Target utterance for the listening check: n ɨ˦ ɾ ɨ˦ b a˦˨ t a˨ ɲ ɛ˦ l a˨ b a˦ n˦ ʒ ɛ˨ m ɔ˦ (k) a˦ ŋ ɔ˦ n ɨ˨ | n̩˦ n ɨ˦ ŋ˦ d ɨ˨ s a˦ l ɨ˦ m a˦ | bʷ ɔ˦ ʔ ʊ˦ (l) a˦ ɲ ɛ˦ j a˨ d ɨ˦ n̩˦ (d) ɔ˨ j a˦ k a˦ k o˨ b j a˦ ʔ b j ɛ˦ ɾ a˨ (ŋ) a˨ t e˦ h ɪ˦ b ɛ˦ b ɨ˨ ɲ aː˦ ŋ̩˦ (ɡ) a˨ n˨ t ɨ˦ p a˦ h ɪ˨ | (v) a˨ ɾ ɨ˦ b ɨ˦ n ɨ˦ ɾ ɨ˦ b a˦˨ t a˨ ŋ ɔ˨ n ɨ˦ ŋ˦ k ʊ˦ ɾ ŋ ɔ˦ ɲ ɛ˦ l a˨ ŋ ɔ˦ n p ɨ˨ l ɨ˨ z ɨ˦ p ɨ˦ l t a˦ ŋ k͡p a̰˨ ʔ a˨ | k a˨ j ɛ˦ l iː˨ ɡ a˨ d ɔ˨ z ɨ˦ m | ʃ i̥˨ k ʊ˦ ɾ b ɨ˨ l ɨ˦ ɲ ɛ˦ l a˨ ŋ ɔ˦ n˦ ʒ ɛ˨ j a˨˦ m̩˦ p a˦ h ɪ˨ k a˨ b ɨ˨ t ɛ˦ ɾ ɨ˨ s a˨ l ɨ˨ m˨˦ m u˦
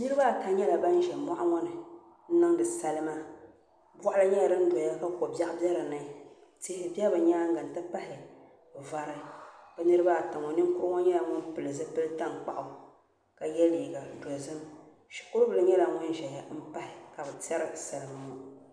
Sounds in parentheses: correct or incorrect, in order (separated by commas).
incorrect, correct, correct, incorrect, correct, correct